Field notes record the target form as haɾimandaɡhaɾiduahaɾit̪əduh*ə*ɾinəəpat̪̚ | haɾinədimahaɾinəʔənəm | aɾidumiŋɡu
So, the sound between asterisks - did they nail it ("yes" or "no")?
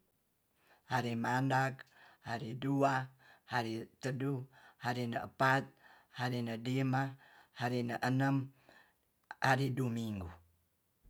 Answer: no